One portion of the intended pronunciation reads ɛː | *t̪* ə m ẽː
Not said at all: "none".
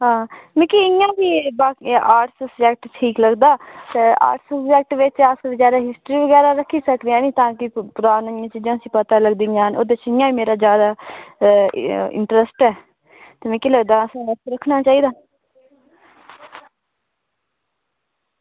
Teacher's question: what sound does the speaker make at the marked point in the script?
t̪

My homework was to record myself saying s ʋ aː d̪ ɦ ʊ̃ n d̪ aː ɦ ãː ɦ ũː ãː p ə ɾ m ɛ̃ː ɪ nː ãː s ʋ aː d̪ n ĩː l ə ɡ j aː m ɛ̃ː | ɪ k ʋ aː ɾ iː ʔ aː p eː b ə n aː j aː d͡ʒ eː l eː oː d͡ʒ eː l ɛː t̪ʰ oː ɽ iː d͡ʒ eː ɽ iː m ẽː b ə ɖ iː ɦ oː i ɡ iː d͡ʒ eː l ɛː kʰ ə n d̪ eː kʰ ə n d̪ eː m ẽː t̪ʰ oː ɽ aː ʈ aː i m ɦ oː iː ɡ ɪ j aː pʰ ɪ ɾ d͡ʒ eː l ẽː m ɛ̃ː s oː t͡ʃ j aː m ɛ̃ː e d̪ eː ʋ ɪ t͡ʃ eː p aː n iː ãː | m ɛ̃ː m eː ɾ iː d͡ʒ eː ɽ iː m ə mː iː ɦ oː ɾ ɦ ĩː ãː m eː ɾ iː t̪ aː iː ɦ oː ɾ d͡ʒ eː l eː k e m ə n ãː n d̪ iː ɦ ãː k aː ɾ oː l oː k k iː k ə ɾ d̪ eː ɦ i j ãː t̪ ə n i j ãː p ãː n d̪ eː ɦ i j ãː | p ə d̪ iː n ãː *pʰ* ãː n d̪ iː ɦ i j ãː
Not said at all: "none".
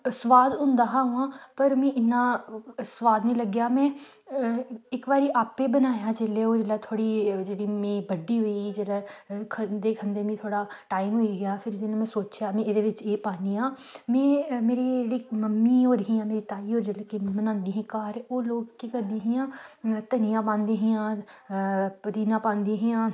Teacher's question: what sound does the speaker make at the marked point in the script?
p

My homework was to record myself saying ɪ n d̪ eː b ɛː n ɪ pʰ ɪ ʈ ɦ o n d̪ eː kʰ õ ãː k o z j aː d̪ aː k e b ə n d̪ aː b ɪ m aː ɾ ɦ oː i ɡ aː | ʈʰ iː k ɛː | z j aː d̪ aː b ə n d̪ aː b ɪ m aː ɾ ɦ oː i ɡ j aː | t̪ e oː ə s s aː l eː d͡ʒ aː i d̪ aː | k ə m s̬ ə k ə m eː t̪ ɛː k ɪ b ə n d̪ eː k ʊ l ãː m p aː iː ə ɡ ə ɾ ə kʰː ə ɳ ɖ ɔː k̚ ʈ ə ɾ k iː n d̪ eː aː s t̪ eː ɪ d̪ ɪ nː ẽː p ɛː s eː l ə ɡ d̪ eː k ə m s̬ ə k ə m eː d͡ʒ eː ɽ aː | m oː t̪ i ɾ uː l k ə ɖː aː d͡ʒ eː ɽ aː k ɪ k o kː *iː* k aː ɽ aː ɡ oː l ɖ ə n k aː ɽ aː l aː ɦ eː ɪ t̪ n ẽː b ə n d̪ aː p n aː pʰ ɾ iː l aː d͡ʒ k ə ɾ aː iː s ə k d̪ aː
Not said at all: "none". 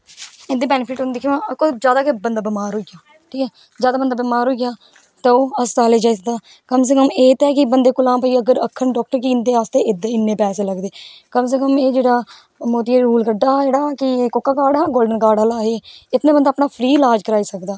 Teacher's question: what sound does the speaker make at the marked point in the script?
aː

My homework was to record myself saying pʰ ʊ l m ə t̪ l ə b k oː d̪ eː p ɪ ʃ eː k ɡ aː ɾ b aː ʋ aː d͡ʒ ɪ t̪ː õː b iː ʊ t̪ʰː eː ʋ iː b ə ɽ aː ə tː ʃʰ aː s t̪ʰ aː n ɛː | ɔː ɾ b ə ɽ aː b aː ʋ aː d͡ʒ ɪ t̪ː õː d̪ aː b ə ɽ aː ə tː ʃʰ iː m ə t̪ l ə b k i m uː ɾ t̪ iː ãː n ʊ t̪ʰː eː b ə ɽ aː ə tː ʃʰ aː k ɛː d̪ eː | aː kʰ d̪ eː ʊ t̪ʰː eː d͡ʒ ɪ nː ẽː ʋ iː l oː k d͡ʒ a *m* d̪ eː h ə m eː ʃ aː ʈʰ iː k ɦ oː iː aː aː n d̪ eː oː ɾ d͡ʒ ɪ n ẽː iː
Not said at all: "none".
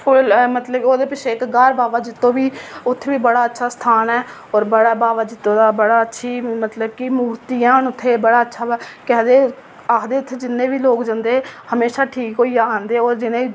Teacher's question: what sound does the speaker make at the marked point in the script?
n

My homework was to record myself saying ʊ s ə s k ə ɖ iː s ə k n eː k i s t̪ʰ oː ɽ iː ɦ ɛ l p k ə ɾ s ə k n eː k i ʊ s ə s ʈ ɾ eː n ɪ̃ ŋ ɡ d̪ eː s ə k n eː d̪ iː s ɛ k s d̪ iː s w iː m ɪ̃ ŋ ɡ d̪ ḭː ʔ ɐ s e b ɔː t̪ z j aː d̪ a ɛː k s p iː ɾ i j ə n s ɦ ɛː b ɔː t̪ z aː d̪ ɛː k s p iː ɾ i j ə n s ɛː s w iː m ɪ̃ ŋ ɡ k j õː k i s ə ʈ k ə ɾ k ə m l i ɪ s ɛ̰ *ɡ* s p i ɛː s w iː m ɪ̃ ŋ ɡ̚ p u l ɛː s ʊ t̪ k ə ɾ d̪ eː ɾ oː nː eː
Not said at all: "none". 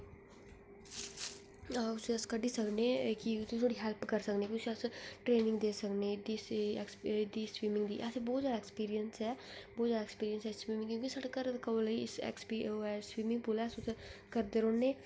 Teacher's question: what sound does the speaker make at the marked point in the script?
k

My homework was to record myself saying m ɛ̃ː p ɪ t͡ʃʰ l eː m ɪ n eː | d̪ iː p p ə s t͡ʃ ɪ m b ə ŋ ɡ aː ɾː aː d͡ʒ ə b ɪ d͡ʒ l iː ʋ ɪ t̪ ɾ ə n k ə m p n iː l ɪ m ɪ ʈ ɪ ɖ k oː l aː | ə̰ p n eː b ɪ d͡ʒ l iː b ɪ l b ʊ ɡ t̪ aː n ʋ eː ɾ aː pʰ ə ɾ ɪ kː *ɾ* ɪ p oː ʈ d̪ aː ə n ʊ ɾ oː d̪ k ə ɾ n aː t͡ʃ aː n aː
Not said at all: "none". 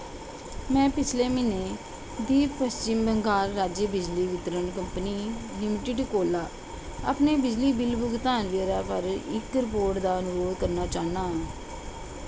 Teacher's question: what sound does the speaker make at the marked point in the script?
ɾ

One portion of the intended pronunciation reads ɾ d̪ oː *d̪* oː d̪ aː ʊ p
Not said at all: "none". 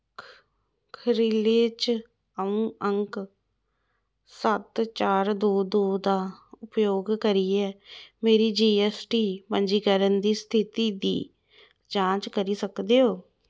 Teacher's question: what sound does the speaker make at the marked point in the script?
d̪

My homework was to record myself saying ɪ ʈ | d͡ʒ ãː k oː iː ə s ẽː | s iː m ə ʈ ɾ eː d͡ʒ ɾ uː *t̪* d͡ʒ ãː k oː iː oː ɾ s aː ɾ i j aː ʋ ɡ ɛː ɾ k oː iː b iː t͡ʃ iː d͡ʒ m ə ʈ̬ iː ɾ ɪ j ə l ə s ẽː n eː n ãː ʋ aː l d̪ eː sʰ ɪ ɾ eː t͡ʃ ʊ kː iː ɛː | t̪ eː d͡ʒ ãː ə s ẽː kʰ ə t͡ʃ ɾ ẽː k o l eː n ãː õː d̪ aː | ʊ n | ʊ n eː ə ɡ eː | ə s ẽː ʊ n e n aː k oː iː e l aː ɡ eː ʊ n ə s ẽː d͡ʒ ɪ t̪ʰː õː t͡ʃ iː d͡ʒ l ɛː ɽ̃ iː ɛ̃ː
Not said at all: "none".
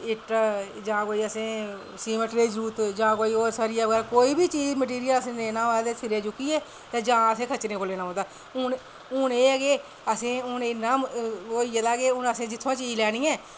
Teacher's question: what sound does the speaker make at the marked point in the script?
t̪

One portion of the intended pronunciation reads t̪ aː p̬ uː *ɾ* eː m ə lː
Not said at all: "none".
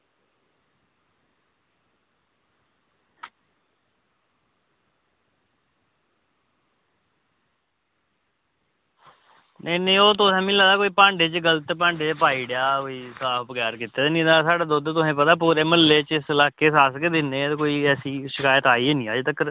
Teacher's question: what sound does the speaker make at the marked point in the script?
ɾ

